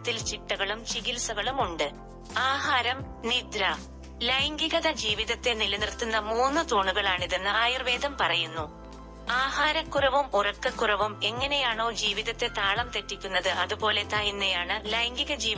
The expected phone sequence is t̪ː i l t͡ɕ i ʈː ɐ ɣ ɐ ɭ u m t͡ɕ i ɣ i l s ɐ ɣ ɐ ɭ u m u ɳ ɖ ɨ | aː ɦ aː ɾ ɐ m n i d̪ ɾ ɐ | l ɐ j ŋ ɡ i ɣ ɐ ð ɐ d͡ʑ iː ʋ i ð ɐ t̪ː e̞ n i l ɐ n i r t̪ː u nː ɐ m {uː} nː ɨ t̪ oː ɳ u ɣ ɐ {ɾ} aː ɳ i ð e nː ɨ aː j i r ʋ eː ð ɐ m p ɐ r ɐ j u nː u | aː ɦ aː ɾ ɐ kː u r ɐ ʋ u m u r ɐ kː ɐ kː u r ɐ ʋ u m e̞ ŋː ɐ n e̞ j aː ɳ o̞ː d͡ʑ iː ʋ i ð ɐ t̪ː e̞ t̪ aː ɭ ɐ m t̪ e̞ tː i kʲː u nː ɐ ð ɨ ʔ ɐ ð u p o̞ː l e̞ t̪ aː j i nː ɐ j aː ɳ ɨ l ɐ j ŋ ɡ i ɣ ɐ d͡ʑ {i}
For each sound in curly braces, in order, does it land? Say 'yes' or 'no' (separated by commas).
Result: yes, no, no